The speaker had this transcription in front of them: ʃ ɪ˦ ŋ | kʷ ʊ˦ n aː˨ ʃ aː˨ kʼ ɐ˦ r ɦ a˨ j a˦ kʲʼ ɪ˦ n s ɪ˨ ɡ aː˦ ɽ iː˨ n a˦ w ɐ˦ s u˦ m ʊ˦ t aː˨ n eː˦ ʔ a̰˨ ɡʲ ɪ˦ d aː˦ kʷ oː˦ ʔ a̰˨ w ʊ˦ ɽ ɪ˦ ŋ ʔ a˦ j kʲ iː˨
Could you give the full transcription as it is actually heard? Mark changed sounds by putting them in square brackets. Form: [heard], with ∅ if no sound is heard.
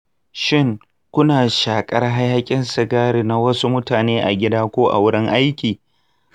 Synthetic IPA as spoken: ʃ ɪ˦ ŋ | kʷ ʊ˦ n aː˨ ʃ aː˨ kʼ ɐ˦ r ɦ [a˦] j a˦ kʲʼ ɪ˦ n s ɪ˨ ɡ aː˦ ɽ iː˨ n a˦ w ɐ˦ s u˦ m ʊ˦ t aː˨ n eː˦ ʔ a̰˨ ɡʲ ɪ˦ d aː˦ kʷ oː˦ ʔ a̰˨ w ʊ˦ ɽ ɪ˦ ŋ ʔ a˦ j kʲ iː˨

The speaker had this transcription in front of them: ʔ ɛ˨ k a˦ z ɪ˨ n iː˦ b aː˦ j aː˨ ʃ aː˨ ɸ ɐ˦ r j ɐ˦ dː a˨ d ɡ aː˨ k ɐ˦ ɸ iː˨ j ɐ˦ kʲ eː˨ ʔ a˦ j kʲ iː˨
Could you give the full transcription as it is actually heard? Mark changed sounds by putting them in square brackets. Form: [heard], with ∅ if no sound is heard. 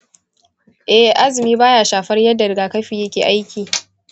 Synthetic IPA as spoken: ʔ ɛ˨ [ʔ] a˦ z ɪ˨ [m] iː˦ b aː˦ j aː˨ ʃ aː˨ ɸ ɐ˦ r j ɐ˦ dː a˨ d ɡ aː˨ k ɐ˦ ɸ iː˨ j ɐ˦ kʲ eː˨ ʔ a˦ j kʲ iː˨

